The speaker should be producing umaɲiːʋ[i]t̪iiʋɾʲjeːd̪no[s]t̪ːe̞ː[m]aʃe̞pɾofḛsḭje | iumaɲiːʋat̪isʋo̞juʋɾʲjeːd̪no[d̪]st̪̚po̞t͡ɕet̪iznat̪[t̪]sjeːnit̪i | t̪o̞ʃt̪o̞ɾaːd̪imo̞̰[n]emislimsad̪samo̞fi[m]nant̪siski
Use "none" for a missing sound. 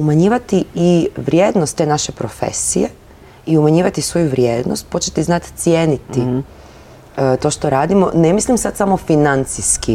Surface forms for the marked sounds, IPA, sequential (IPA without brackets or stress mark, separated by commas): a, s, n, none, t̪, n, none